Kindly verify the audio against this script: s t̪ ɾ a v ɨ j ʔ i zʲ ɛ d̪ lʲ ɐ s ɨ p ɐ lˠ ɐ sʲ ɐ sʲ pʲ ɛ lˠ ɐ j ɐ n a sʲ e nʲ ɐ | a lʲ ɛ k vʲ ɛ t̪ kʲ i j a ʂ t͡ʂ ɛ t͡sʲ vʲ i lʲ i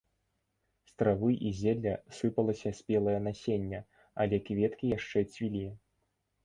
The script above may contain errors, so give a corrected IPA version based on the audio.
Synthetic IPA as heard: s t̪ ɾ a v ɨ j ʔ i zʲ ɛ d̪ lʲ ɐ s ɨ p ɐ lˠ ɐ sʲ ɐ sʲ pʲ ɛ lˠ ɐ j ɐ n a sʲ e nʲː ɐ | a lʲ ɛ k vʲ ɛ t̪ kʲ i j a ʂ t͡ʂ ɛ t͡sʲ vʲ i lʲ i